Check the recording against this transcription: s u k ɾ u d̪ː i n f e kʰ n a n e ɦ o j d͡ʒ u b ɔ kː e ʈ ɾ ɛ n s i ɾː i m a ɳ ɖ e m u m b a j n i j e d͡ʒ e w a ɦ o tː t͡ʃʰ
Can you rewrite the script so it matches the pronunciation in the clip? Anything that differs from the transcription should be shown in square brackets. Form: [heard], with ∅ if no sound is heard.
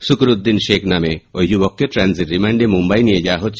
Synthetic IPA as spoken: s u k ɾ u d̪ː i n [ʃ] e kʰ n a [m] e [∅] o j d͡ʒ u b ɔ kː e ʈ ɾ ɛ n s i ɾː i m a ɳ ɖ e m u m b a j n i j e d͡ʒ [a] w a ɦ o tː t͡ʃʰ